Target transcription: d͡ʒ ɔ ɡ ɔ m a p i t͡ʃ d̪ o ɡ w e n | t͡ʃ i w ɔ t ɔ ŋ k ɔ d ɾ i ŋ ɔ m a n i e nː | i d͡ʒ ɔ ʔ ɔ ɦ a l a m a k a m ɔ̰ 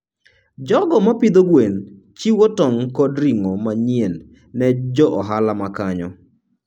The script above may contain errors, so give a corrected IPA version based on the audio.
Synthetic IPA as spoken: d͡ʒ ɔ ɡ ɔ m a p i d̪ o ɡ w e n | t͡ʃ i w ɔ t ɔ ŋ k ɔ d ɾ i ŋ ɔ m a ɲ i e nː | ɛ d͡ʒ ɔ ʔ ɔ ɦ a l a m a k a ɲ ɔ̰

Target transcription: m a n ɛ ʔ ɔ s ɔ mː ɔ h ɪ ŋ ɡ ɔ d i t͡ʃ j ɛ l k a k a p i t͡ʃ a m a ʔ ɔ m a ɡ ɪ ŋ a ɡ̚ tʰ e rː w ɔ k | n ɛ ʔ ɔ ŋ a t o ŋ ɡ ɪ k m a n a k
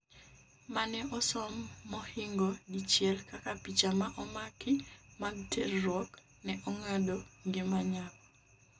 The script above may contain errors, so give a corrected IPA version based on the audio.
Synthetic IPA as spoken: m a n ɛ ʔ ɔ s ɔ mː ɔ h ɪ ŋ ɡ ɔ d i t͡ʃ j ɛ l k a k a p i t͡ʃ a m a ʔ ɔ m a k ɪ m a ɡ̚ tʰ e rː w ɔ k | n ɛ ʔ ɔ ŋ a d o ŋ ɡ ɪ m a ɲ a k

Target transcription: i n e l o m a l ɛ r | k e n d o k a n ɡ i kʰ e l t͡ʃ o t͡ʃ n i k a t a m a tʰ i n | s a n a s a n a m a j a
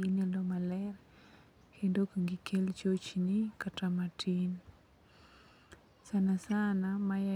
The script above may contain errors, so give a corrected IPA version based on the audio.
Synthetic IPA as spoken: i n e l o m a l ɛ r | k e n d o k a ŋ ɡ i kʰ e l t͡ʃ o t͡ʃ n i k a t a m a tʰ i n | s a n a s a n a m a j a

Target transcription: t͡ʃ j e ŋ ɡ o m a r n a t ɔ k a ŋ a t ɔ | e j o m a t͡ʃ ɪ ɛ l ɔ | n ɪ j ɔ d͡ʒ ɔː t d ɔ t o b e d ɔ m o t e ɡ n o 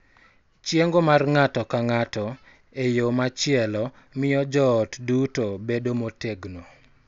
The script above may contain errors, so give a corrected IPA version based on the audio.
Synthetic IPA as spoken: t͡ʃ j e ŋ ɡ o m a r ŋ a t ɔ k a ŋ a t ɔ | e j o m a t͡ʃ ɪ ɛ l ɔ | m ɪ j ɔ d͡ʒ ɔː t d u t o b e d o m o t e ɡ n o

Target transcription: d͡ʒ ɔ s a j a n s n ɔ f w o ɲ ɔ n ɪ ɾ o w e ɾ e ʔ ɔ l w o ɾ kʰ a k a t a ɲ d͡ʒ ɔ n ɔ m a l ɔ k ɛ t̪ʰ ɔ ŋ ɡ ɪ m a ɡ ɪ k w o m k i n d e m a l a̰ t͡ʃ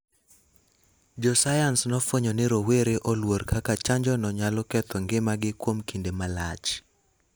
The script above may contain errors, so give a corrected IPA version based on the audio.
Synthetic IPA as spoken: d͡ʒ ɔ s a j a n s n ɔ f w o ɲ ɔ n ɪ ɾ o w e ɾ e ʔ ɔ l w o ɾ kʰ a k a t͡ʃ a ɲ d͡ʒ ɔ n ɔ ɲ a l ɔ k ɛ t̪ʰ ɔ ŋ ɡ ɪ m a ɡ ɪ k w o m k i n d e m a l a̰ t͡ʃ

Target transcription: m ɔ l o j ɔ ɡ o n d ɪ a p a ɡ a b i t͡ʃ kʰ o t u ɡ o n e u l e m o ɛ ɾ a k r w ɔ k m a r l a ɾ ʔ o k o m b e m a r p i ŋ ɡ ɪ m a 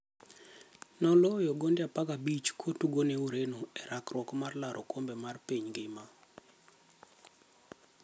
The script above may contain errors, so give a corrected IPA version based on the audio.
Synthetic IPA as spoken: n ɔ l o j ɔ ɡ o n d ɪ a p a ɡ a b i t͡ʃ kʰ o t u ɡ o n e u ɾ e n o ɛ ɾ a k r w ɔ k m a r l a ɾ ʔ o k o m b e m a r p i ɲ ɡ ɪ m a

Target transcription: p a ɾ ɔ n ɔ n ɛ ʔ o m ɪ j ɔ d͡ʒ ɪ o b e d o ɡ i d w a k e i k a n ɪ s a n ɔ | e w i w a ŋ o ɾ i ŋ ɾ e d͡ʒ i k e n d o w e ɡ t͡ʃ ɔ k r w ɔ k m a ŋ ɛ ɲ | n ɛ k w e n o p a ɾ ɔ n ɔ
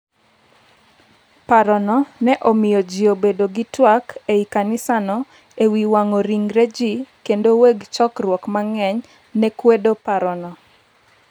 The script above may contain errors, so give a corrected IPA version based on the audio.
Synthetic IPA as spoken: p a ɾ ɔ n ɔ n ɛ ʔ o m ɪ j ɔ d͡ʒ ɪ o b e d o ɡ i t w a k e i k a n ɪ s a n ɔ | e w i w a ŋ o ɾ i ŋ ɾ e d͡ʒ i k e n d o w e ɡ t͡ʃ ɔ k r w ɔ k m a ŋ ɛ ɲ | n ɛ k w e d o p a ɾ ɔ n ɔ

